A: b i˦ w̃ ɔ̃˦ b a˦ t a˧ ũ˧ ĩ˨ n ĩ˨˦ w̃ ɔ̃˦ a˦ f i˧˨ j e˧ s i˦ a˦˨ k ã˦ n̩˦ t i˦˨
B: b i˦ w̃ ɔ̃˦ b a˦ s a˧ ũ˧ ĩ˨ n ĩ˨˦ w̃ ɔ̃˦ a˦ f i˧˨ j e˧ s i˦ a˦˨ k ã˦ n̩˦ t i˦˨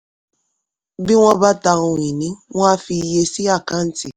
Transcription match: A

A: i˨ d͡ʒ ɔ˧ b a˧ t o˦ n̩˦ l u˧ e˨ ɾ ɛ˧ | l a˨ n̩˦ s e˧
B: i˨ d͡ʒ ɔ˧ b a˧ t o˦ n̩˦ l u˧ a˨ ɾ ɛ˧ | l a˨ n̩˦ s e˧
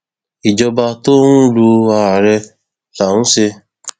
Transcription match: B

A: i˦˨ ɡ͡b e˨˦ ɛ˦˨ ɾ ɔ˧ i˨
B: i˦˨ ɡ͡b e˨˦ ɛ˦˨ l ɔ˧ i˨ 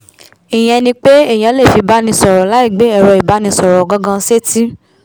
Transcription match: A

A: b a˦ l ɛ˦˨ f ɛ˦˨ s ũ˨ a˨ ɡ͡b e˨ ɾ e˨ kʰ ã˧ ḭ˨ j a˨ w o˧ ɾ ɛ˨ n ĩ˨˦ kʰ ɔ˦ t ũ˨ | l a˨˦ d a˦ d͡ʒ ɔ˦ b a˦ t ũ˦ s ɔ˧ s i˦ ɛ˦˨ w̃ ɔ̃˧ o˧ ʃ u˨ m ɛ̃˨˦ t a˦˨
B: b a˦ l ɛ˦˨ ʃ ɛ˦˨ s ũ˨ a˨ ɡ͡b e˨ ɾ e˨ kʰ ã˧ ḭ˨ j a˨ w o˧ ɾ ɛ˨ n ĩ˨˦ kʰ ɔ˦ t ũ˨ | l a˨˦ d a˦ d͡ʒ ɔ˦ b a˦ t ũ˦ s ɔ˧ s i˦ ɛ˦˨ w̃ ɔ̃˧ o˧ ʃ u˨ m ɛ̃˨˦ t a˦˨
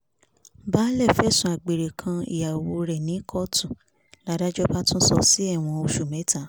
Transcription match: A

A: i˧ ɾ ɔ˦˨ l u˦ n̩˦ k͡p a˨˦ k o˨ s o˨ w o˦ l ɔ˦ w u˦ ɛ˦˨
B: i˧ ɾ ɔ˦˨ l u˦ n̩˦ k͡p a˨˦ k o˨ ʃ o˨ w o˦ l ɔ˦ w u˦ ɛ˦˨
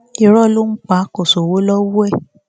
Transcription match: A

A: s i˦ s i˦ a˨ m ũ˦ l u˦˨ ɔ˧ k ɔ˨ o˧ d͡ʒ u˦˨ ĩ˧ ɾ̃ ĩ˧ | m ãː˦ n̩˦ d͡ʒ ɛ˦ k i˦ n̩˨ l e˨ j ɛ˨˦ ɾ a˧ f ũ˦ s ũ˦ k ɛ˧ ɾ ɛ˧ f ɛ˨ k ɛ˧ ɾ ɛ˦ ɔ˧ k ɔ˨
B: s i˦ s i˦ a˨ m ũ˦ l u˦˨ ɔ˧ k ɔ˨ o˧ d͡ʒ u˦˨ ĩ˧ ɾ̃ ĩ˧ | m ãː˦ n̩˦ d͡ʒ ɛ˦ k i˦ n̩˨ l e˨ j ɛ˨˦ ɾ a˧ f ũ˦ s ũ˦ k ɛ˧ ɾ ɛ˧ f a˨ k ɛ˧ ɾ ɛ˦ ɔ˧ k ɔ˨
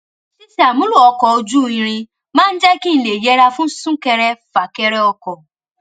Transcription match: B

